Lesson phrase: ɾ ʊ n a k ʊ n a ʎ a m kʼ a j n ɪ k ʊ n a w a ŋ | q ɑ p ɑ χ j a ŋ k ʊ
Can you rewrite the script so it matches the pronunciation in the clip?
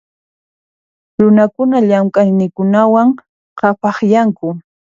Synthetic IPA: ɾ ʊ n a k ʊ n a ʎ a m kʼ a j n ɪ k ʊ n a w a ŋ | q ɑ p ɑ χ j a ŋ k ʊ